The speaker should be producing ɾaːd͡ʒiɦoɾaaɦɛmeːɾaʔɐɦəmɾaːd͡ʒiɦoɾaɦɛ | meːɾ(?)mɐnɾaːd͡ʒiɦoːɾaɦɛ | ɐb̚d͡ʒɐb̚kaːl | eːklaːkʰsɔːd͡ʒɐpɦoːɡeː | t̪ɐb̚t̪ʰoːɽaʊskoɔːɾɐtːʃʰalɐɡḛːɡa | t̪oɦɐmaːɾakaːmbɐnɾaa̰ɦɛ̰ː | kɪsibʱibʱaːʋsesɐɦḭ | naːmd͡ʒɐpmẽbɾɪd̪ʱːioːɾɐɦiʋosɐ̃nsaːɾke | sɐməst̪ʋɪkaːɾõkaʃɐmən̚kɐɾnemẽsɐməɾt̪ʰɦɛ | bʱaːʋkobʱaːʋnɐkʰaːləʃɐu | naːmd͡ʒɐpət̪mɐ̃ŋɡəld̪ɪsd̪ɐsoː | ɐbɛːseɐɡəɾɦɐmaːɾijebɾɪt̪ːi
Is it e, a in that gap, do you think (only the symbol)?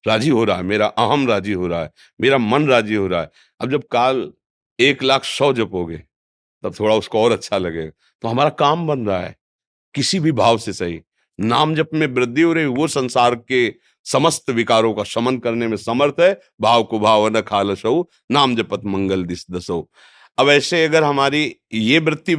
a